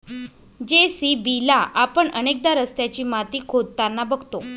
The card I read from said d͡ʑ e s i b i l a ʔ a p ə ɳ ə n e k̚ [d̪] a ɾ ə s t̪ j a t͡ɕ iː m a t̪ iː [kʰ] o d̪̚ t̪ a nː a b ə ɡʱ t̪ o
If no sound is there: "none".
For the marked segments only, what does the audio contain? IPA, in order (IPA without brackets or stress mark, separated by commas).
d̪, kʰ